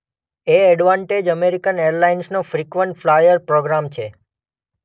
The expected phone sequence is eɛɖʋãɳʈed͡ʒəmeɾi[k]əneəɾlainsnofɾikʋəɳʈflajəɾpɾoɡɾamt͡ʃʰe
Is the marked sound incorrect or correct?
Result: correct